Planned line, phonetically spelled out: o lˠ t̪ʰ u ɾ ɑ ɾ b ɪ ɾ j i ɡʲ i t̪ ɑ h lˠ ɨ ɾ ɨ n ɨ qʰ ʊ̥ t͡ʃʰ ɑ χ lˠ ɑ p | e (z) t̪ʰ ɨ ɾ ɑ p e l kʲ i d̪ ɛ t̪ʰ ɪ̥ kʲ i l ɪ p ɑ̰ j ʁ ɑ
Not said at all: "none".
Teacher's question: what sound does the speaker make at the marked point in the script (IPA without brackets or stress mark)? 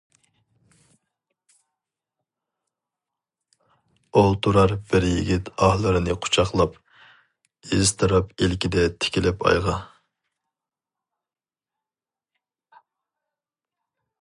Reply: z